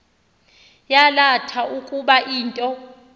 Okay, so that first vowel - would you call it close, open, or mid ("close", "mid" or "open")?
open